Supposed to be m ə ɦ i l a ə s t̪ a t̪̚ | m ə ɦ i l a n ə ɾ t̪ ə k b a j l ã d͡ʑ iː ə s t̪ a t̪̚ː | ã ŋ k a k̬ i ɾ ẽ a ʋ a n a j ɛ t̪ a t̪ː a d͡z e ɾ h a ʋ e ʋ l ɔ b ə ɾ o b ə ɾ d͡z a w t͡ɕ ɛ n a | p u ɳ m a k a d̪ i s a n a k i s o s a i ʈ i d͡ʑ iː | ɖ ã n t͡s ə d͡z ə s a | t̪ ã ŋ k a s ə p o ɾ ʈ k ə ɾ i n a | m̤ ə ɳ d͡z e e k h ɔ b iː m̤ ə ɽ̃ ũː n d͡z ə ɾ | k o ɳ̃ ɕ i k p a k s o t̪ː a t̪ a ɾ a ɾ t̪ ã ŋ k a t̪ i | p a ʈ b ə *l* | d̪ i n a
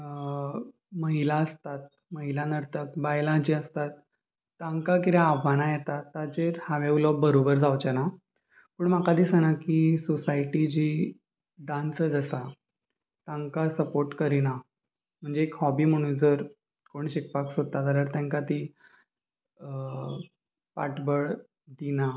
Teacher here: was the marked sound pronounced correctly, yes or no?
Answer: no